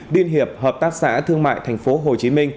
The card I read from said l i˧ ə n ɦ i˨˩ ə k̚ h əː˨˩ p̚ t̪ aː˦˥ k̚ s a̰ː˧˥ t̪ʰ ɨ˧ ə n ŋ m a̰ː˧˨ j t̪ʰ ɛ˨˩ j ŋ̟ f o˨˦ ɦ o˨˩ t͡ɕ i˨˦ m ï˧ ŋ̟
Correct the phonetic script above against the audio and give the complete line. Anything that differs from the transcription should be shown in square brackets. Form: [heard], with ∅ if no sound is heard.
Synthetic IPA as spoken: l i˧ ə n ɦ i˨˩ ə [p̚] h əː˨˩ p̚ t̪ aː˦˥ k̚ s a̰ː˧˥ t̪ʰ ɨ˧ ə [∅] ŋ m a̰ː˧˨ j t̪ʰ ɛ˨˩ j ŋ̟ f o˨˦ ɦ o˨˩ t͡ɕ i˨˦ m ï˧ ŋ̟